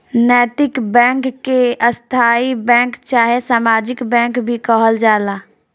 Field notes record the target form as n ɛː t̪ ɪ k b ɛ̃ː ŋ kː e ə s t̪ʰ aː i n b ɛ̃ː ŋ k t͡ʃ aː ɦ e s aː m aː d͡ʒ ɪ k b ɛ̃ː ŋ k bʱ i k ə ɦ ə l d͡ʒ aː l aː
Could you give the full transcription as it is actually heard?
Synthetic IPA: n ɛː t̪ ɪ k b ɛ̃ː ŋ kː e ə s t̪ʰ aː i b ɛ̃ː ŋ k t͡ʃ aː ɦ e s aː m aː d͡ʒ ɪ k b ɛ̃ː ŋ k bʱ i k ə ɦ ə l d͡ʒ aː l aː